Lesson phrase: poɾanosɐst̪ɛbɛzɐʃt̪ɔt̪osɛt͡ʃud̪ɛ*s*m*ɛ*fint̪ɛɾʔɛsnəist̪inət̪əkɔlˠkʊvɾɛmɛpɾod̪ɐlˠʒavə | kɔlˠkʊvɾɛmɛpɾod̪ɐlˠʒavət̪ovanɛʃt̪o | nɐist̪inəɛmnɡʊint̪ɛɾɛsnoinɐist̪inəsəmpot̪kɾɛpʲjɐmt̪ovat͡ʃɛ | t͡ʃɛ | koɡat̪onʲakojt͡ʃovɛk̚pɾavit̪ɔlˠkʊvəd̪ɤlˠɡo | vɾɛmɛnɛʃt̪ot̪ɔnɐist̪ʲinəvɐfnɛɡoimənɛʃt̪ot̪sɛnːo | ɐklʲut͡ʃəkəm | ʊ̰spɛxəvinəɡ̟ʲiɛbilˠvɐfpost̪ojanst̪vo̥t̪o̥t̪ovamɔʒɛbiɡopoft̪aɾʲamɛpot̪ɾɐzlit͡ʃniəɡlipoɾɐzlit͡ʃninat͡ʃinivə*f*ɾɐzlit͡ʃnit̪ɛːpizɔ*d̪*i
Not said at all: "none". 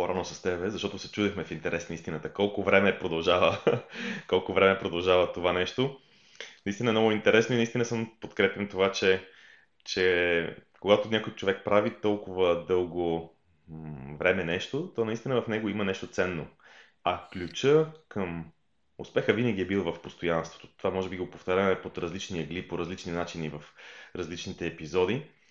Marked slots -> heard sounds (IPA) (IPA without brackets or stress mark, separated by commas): x, ɛ, f, d̪